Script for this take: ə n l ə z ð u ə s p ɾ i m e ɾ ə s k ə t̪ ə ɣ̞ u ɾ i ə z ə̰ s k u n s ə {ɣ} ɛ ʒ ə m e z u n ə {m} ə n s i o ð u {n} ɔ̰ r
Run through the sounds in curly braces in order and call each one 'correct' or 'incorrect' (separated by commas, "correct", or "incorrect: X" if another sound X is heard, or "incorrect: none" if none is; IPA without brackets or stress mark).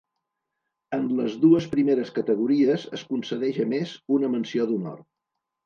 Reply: incorrect: ð, correct, correct